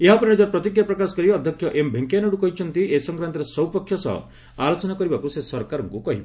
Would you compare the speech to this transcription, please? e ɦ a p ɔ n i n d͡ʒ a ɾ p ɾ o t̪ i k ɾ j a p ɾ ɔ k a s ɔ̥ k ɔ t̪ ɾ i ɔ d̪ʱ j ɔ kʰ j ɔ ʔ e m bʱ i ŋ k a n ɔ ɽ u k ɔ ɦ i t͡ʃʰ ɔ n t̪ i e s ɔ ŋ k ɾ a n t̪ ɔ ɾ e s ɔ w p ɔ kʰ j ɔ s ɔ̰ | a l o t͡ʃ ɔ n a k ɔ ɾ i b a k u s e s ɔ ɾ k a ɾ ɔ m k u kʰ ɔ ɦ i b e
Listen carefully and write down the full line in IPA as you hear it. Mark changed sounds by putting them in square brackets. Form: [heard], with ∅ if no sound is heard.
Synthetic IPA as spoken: e ɦ a p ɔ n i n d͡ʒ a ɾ p ɾ [ɔ] t̪ i k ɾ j a p ɾ ɔ k a s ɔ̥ k ɔ [∅] ɾ i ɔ d̪ʱ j ɔ kʰ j ɔ ʔ e m bʱ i ŋ k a n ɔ ɽ u k ɔ ɦ i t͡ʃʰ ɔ n t̪ i e s ɔ ŋ k ɾ a n t̪ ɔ ɾ e s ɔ w p ɔ kʰ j ɔ s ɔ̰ | a l o t͡ʃ ɔ n a k ɔ ɾ i b a k u s e s ɔ ɾ k a ɾ ɔ [ŋ] k u [k] ɔ ɦ i b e